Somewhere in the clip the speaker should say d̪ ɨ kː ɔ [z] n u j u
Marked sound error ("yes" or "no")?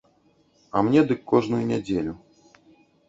yes